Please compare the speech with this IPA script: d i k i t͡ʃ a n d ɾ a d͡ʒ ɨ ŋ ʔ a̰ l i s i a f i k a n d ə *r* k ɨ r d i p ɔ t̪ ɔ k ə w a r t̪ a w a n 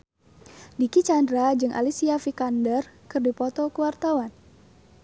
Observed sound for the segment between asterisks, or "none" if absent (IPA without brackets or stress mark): r